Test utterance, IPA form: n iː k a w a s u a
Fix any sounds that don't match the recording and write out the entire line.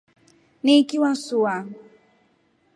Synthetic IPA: n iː k i w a s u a